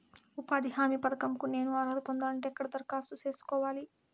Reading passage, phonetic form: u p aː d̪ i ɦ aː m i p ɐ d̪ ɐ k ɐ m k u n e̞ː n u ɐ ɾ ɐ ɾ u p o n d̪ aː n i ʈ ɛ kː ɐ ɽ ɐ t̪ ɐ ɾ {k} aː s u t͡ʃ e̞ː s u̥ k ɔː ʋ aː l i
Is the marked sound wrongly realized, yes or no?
no